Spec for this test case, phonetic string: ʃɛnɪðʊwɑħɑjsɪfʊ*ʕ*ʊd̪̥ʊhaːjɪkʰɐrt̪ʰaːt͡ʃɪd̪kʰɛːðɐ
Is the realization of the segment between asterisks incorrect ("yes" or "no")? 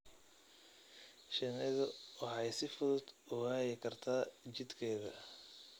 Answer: yes